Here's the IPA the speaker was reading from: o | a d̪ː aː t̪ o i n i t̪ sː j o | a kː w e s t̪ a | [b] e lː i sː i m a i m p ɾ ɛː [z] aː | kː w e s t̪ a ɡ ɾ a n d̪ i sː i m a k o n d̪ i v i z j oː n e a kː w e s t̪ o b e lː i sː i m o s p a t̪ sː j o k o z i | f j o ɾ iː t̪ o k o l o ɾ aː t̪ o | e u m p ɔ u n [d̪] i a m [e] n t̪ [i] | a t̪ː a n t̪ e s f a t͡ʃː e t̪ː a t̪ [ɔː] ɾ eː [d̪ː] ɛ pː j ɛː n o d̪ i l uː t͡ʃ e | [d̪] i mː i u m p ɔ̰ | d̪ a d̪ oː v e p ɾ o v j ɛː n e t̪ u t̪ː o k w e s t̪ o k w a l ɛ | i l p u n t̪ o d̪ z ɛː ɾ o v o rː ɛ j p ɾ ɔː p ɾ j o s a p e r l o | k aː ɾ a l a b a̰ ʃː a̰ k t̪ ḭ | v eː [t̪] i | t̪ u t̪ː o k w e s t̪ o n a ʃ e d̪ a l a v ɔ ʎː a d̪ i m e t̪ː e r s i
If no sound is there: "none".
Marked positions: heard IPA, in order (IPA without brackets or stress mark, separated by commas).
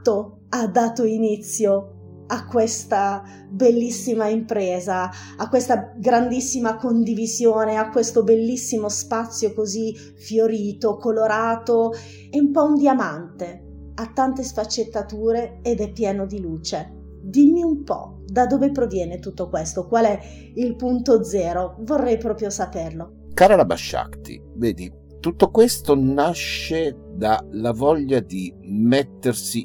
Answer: b, z, d̪, a, e, uː, d̪, d̪, d̪